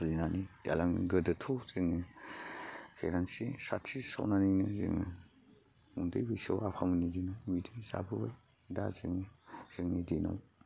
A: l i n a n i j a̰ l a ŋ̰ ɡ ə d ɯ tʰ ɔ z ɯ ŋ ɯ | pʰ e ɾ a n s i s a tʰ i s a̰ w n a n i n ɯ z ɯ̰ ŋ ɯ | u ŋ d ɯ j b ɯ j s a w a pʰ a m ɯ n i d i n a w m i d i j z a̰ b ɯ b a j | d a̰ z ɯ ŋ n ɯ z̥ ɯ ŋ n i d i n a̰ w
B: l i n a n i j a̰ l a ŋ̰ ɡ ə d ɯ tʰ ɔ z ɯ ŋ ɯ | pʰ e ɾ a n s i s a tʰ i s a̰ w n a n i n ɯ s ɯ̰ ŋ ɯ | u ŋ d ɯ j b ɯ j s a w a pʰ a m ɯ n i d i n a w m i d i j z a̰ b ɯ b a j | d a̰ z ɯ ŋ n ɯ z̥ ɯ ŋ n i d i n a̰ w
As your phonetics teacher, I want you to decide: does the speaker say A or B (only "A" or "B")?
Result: A